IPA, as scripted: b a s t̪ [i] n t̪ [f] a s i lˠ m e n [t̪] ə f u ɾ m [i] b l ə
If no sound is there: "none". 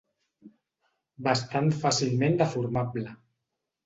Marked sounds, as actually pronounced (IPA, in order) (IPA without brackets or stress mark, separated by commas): a, f, d̪, a